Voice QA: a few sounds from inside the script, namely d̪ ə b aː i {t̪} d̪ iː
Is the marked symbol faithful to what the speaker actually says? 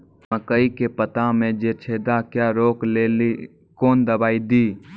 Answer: no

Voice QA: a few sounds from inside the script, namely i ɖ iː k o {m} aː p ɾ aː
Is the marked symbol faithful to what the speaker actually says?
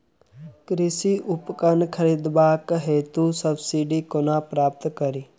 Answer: no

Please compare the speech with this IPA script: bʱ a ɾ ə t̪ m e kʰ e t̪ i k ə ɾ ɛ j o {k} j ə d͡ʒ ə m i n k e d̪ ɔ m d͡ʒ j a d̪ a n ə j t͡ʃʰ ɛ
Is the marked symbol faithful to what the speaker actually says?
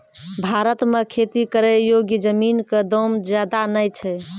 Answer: no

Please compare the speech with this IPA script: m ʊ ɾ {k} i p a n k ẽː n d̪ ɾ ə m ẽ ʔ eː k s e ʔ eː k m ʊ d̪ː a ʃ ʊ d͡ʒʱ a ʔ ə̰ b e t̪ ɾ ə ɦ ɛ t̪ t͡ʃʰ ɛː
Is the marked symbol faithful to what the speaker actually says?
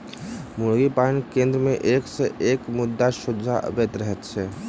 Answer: no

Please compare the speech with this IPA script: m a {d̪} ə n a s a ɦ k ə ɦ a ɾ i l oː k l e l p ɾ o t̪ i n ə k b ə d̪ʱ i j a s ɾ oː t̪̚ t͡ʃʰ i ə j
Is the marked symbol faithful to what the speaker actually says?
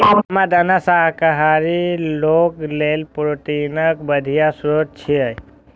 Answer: yes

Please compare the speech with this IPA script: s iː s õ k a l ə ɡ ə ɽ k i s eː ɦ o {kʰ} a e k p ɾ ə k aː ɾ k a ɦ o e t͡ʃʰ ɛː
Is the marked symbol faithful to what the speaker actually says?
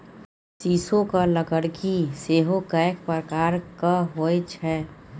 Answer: no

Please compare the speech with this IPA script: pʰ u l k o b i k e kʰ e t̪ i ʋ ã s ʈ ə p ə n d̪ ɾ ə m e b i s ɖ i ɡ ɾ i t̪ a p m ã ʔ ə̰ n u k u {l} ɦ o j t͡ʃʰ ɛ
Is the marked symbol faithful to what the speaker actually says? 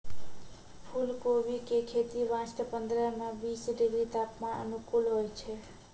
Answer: yes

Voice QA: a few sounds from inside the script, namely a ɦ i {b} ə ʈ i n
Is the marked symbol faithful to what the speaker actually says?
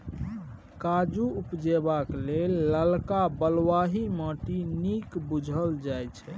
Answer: no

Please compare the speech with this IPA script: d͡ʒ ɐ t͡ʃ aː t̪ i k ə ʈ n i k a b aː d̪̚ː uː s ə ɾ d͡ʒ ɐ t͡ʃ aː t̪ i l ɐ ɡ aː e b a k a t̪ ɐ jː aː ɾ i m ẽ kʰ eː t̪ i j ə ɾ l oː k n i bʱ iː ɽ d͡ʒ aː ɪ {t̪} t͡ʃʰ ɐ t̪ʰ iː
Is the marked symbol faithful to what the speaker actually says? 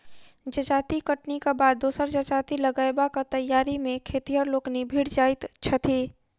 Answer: yes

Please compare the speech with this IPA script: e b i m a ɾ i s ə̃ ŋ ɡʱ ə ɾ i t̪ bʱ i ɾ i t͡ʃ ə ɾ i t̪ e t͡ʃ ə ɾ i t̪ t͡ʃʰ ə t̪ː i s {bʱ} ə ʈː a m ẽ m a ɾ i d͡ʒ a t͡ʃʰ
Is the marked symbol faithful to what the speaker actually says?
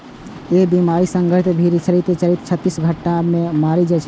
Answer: no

